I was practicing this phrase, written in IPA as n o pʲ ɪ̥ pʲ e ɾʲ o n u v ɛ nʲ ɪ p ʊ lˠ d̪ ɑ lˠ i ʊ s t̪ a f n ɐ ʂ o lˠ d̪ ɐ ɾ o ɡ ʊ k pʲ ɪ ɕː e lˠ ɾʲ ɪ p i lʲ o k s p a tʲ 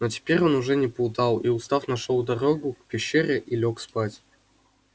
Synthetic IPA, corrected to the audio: n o tʲ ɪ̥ pʲ e ɾʲ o n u ʐ ɛ nʲ ɪ p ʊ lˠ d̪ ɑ lˠ i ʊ s t̪ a f n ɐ ʂ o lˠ d̪ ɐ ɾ o ɡ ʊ k pʲ ɪ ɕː e ɾʲ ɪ ʔ i lʲ o k s p a tʲ